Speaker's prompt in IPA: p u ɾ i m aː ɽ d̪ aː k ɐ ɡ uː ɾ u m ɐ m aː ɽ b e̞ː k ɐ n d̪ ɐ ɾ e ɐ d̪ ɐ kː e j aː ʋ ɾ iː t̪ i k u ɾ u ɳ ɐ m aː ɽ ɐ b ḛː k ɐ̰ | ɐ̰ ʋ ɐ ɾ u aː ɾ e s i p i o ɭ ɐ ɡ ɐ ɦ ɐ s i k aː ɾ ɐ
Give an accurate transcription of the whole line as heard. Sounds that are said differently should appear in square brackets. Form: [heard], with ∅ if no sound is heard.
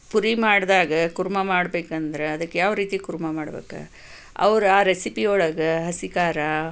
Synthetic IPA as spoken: p u ɾ i m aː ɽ d̪ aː [ɡ] ɐ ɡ [u] ɾ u m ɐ m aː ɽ b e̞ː k ɐ n d̪ ɐ ɾ e ɐ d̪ ɐ kː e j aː ʋ ɾ iː t̪ i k u ɾ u [m] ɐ m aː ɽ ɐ b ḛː k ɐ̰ | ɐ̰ ʋ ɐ ɾ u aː ɾ e s i p i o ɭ ɐ ɡ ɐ ɦ ɐ s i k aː ɾ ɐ